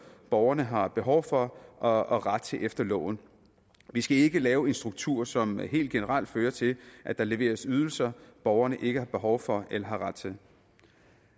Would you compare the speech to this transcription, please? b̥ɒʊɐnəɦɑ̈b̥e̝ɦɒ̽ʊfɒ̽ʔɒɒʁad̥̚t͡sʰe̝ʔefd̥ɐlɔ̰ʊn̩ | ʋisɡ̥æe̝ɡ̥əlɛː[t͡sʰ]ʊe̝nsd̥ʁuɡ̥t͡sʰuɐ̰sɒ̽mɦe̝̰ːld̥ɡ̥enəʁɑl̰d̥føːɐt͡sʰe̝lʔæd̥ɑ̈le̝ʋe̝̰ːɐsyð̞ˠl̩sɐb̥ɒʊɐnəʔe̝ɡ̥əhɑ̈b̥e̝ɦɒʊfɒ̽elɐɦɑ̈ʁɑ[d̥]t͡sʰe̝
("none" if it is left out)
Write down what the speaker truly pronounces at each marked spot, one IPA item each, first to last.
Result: none, d̥

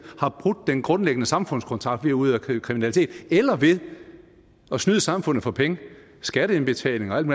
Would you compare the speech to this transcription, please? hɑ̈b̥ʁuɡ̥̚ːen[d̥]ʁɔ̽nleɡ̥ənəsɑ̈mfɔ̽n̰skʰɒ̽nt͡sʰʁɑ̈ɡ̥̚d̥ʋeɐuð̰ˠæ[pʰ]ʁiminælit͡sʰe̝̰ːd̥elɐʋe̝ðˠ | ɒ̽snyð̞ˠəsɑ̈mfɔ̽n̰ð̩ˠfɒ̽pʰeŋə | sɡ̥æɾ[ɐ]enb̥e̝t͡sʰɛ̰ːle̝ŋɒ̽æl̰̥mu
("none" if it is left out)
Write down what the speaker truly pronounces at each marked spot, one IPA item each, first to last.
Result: ɡ̥, kʰ, ə

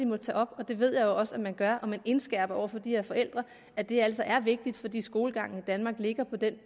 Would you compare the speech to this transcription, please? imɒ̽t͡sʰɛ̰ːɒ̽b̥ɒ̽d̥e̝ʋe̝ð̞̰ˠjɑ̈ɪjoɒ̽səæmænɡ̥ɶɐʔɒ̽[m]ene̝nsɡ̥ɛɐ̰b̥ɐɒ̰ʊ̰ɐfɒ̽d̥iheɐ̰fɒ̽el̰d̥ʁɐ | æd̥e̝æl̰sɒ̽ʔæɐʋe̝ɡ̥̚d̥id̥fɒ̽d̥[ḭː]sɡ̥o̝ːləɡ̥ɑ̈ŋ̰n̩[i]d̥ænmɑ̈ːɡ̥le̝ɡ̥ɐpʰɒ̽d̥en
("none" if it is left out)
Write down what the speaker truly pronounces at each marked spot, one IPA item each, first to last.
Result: m, ḭː, i

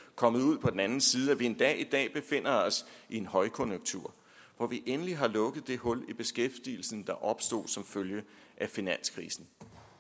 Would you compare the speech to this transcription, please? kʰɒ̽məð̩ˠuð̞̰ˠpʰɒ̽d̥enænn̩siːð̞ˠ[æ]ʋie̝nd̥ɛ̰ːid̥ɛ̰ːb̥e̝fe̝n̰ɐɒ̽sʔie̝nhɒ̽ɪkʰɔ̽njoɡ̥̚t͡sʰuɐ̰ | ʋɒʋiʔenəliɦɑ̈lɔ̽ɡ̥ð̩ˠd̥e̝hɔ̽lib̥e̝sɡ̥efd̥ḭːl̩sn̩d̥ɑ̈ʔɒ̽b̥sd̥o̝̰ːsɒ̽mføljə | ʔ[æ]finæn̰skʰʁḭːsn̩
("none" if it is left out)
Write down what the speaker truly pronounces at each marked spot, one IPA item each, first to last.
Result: æ, æ

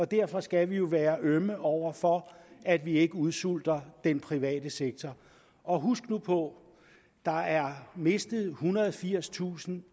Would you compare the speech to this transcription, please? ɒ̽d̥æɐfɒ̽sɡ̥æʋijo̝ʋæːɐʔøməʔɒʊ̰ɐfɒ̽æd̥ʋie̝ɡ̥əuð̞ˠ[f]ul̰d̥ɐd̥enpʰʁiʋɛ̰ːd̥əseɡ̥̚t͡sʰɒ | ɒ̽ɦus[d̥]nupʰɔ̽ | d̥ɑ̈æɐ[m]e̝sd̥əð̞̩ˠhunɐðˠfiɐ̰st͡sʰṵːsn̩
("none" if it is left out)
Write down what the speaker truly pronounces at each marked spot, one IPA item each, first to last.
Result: s, ɡ̥, m

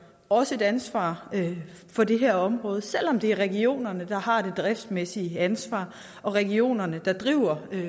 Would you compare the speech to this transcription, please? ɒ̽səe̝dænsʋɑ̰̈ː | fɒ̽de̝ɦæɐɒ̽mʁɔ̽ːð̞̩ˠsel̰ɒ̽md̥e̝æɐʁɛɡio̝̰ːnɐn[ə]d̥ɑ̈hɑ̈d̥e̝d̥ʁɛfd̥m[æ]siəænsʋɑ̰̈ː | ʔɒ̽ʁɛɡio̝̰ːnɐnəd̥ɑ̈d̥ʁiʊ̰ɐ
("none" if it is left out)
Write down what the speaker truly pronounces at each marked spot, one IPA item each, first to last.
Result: ə, e

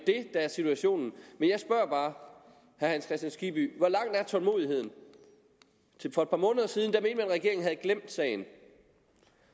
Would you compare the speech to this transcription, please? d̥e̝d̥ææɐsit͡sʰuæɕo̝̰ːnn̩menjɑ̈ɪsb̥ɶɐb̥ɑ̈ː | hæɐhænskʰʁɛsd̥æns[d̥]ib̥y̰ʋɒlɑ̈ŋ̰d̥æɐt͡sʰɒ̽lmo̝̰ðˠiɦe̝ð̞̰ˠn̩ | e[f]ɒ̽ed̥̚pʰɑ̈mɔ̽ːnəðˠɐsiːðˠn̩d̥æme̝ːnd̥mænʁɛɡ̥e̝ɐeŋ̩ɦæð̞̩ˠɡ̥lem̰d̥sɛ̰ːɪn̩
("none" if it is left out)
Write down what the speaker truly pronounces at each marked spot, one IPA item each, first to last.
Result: ɡ̥, f

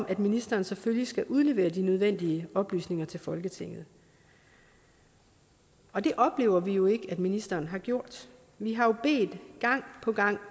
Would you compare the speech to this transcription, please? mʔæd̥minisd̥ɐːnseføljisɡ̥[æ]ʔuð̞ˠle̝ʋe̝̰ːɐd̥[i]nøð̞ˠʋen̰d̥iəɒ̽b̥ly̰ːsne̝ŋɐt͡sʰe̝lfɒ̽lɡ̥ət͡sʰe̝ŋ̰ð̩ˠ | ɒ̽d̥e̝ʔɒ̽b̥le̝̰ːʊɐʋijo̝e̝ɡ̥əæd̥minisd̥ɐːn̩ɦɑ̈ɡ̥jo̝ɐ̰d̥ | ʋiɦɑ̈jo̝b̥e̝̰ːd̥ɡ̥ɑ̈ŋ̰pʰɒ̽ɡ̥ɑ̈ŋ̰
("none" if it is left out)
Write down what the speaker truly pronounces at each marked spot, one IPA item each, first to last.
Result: æ, i

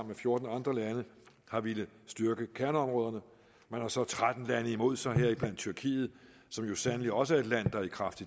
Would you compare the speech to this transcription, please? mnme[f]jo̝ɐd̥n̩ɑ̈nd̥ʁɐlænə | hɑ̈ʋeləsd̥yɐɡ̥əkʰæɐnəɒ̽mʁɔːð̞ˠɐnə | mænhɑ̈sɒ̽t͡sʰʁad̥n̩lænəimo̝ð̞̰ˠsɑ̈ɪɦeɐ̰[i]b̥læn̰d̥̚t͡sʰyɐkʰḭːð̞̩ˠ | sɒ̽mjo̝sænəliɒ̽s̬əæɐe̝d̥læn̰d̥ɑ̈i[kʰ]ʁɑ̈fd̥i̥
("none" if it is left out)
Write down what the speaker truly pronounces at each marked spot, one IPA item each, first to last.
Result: f, i, kʰ

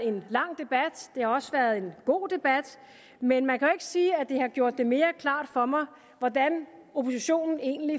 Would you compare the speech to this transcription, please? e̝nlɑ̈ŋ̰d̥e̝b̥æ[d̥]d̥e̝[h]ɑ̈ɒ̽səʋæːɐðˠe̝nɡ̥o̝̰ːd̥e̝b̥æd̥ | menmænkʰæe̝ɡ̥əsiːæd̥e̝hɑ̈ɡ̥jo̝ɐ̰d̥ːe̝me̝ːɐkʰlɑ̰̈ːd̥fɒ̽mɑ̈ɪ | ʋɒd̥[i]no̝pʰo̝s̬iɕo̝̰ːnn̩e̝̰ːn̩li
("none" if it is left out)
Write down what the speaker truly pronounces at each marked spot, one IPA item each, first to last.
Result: d̥, h, æ

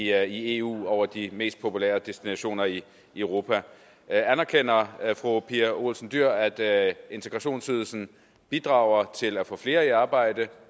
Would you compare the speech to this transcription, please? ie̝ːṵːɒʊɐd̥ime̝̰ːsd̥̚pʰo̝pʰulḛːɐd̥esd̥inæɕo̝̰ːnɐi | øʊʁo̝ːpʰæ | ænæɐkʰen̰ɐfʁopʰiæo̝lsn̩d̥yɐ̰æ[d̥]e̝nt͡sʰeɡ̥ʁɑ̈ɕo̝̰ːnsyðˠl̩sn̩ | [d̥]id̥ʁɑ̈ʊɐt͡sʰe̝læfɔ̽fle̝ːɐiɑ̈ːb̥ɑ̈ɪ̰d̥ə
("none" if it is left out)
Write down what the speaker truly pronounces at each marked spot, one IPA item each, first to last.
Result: d̥, b̥

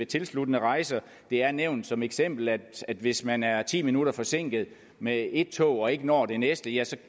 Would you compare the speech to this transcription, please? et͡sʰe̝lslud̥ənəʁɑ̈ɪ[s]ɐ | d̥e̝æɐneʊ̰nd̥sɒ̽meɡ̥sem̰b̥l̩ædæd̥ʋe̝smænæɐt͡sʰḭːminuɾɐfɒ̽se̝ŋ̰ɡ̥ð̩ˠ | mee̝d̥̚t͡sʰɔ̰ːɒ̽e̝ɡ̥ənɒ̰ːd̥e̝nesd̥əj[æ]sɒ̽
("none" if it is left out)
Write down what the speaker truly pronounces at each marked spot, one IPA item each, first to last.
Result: s, æ

